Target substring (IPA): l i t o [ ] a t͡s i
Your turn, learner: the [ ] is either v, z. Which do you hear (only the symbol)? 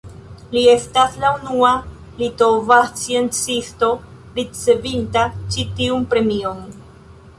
v